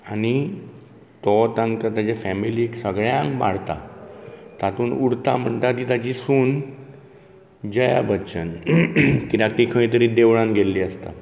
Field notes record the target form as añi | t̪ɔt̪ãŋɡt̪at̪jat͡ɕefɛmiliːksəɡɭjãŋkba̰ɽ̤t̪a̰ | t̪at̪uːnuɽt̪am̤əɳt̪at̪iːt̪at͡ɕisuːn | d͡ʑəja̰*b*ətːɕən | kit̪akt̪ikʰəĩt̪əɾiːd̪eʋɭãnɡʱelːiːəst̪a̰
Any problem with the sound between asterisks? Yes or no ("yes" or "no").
no